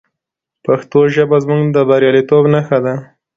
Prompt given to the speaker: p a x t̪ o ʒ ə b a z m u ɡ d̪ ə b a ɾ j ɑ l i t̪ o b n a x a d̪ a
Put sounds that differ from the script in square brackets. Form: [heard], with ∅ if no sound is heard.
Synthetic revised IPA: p a x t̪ o ʒ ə b a z m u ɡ d̪ ə b a ɾ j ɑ l i t̪ o b n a x a d̪ a